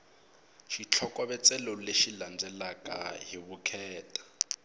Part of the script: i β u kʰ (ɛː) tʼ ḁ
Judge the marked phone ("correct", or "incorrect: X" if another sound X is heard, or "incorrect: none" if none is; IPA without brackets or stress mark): correct